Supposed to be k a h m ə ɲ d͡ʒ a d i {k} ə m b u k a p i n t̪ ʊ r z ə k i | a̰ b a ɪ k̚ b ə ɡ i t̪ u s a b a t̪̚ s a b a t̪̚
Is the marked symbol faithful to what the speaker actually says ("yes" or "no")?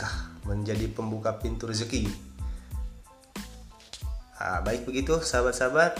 no